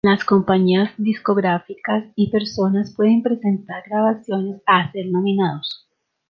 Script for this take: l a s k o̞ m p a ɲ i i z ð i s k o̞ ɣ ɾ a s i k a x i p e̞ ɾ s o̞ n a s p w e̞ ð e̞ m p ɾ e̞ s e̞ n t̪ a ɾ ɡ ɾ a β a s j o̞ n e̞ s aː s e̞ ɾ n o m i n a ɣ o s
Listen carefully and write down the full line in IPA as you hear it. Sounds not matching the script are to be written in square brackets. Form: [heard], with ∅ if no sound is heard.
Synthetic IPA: l a s k o̞ m p a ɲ i [a] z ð i s k o̞ ɣ ɾ a [f] i k a [s] i p e̞ ɾ s o̞ n a s p w e̞ ð e̞ m p ɾ e̞ s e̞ n t̪ a ɾ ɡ ɾ a β a s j o̞ n e̞ s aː s e̞ ɾ n o m i n a [ð] o s